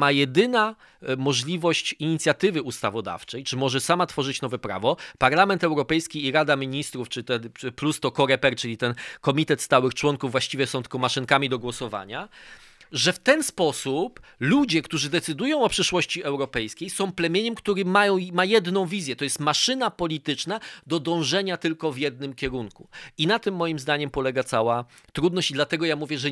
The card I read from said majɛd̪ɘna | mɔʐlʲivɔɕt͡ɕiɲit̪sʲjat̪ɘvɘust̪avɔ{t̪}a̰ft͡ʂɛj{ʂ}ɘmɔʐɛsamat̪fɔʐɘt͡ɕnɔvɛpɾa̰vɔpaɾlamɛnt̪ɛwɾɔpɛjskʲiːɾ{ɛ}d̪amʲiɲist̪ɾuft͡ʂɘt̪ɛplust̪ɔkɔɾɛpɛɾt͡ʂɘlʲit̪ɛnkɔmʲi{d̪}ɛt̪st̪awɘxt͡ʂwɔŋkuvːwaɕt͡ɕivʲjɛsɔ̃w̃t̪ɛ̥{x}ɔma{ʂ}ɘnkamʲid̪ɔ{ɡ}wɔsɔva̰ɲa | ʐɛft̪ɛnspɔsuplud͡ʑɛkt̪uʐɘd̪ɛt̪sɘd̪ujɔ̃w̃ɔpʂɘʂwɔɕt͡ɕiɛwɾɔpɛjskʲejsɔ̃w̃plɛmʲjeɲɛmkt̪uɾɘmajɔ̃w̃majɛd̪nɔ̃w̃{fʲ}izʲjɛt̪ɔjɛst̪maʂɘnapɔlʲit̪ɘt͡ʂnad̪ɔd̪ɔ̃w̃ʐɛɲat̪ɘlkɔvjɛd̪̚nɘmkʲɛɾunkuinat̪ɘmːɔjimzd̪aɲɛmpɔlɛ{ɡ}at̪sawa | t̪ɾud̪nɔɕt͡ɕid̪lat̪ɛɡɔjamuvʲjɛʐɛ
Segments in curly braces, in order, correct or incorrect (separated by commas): incorrect, incorrect, incorrect, incorrect, incorrect, correct, correct, incorrect, correct